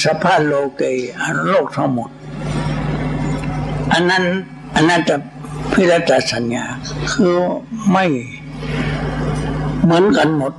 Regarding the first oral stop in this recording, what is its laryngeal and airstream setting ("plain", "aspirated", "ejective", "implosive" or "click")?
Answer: aspirated